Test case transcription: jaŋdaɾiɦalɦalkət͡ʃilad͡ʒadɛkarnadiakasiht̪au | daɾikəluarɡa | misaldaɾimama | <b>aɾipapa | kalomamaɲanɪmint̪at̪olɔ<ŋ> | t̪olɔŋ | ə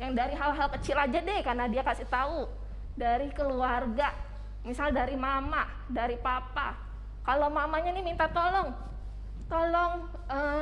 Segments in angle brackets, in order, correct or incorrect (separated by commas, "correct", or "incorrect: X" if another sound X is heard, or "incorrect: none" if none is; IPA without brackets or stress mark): incorrect: d, correct